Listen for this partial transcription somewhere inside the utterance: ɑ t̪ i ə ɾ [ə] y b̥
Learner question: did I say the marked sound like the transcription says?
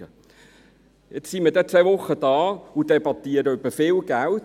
yes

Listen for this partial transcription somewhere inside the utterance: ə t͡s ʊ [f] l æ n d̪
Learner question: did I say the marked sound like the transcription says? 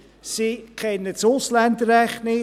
no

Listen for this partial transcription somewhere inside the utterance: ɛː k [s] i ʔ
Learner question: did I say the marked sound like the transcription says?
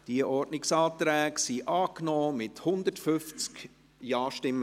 yes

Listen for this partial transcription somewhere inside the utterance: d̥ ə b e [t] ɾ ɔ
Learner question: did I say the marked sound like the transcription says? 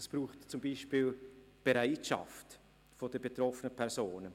yes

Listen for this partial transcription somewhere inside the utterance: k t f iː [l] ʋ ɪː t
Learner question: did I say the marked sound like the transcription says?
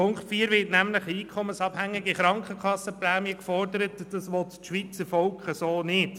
no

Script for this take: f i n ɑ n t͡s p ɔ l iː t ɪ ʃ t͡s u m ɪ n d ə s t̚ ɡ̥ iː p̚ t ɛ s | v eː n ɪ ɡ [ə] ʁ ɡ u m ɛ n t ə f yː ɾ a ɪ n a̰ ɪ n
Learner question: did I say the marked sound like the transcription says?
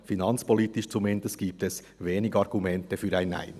no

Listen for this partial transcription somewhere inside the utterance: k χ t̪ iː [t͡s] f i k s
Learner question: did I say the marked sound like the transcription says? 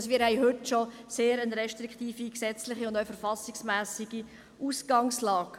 no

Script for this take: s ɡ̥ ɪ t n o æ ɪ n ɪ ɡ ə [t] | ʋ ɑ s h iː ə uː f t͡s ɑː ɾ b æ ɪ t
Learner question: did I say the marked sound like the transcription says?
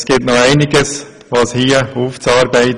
no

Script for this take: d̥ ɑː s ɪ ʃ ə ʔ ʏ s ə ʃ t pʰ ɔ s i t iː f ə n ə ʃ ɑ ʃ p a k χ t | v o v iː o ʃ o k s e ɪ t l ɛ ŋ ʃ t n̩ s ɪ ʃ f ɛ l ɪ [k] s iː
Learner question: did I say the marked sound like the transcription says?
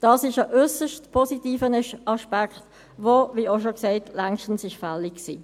yes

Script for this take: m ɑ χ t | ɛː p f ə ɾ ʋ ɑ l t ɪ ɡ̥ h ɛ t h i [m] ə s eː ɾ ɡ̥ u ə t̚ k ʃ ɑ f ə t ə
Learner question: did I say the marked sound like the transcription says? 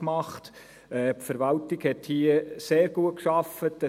no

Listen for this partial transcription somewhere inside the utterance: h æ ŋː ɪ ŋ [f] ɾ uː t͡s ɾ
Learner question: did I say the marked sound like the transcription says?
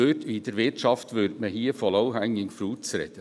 yes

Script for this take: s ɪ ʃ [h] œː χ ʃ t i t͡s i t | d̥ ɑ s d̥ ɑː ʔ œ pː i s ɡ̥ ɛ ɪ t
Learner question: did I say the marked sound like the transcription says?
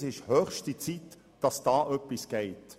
yes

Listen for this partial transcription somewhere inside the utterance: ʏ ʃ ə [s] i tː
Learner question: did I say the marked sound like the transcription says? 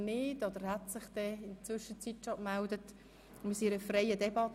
no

